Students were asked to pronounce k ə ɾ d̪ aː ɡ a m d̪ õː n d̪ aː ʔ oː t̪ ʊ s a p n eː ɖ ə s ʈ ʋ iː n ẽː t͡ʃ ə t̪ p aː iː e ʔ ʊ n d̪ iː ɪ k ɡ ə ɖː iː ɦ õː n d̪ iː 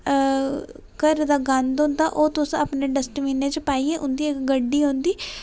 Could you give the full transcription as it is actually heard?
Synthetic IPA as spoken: k ə ɾ d̪ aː ɡ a n d̪ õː n d̪ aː ʔ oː t̪ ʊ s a p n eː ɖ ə s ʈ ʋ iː n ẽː t͡ʃ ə p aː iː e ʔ ʊ n d̪ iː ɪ k ɡ ə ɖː iː ɦ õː n d̪ iː